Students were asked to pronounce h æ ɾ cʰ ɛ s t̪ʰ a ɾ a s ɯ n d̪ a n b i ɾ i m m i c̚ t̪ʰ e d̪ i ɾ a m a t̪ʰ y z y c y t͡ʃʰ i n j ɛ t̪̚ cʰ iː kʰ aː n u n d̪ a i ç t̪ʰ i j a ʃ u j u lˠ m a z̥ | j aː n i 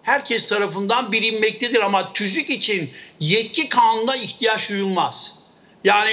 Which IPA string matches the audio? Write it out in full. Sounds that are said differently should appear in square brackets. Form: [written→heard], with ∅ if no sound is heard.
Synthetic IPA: h æ ɾ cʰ ɛ s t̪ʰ a ɾ a [s→f] ɯ n d̪ a n b i ɾ i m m [i→ɛ] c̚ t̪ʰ e d̪ i ɾ a m a t̪ʰ y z y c [y→i] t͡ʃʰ i n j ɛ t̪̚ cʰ [iː→i] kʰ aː n u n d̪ a i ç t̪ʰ i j a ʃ u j u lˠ m a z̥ | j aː n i